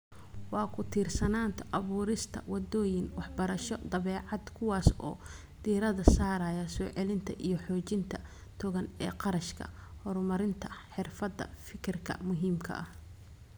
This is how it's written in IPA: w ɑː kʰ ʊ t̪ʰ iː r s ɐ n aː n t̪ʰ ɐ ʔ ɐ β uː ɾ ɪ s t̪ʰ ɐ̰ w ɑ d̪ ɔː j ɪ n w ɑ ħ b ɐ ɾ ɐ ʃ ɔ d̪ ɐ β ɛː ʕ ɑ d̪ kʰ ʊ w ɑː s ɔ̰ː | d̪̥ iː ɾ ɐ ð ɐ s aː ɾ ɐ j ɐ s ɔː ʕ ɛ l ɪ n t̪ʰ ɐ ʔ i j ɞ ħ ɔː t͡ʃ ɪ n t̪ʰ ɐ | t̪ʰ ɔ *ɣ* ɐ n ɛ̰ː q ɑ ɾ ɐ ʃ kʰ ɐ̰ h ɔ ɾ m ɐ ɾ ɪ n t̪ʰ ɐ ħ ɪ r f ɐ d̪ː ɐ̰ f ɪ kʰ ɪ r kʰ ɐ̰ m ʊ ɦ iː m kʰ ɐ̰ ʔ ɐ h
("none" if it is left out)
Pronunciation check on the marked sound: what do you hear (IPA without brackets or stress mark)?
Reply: ɣ